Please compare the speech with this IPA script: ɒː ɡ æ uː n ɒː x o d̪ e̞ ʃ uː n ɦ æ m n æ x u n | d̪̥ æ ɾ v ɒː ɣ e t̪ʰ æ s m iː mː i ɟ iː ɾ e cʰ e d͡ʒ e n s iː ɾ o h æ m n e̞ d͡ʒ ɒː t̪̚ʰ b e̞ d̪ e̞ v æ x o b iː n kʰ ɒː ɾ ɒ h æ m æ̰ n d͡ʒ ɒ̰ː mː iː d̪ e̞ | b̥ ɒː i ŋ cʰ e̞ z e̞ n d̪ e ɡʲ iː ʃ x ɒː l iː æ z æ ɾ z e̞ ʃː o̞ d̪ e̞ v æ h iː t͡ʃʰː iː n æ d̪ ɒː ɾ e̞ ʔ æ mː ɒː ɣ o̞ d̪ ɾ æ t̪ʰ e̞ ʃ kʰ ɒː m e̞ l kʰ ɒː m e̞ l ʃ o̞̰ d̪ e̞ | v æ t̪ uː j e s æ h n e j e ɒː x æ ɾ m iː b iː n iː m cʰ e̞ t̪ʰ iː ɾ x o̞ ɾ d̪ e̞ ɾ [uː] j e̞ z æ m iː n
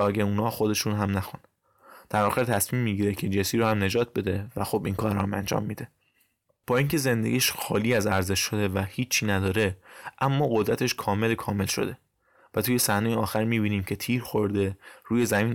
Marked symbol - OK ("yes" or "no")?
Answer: yes